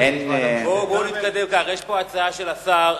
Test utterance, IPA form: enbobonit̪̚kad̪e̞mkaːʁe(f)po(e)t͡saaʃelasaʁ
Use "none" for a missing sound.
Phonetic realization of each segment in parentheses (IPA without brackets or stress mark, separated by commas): ʃ, a